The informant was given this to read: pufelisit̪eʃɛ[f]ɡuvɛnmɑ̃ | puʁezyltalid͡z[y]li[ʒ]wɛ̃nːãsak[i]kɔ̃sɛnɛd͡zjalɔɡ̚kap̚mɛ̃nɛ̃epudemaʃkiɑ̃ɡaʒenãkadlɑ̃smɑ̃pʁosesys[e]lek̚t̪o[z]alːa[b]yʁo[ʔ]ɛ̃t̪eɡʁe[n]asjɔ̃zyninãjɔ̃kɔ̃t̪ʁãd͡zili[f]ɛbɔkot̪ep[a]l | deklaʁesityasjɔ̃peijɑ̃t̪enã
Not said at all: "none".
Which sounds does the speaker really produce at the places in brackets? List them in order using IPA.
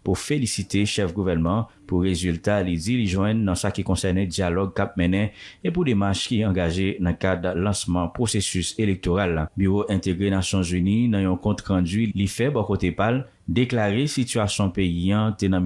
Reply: f, i, ʒ, i, e, ʁ, b, ʔ, n, f, a

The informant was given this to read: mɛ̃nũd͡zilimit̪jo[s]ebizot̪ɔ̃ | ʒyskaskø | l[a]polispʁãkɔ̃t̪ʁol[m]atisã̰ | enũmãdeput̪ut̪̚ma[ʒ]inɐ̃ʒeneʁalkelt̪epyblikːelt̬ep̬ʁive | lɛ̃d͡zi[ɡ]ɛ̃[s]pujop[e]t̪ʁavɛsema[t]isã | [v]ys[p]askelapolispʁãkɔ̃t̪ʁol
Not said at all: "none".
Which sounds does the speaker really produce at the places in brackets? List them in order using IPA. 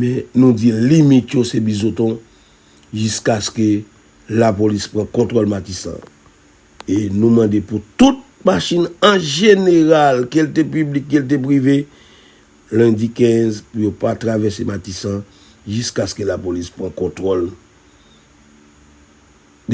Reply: s, a, m, ʃ, k, z, a, t, ʒ, k

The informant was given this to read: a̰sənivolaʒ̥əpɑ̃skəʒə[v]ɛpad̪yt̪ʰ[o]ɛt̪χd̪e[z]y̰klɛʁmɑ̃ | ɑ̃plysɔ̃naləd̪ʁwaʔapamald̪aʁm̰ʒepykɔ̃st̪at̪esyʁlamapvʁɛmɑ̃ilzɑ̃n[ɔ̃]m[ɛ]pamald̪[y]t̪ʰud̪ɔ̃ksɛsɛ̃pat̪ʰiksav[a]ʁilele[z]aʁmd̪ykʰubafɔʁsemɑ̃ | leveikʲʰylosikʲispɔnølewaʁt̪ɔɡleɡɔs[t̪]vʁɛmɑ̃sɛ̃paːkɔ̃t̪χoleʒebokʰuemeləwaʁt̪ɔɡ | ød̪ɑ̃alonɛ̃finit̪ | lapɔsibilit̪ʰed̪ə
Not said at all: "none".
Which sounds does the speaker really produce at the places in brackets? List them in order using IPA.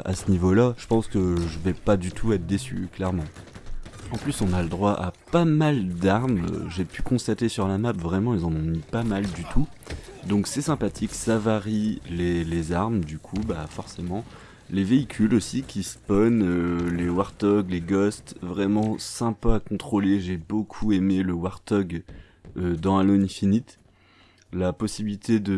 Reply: v, u, s, ɔ̃, i, y, a, z, t̪

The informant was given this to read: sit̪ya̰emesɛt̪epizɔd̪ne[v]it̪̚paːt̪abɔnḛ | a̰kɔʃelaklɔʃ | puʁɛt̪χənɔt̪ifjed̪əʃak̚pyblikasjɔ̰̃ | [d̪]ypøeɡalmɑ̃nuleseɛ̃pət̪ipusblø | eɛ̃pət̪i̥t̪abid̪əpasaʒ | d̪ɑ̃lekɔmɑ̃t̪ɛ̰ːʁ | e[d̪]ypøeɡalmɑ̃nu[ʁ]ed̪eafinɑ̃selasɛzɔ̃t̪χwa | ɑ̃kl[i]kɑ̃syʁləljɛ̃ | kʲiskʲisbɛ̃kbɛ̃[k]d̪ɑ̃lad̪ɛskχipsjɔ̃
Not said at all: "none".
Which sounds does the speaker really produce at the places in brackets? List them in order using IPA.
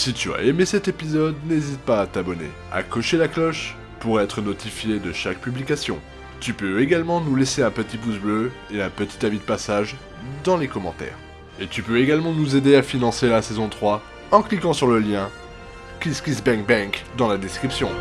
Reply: z, t̪, t̪, z, i, k

